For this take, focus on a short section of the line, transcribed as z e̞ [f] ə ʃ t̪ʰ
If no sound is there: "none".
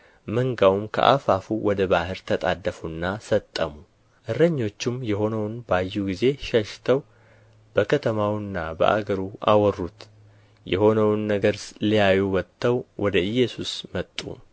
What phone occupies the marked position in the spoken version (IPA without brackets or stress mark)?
ʃ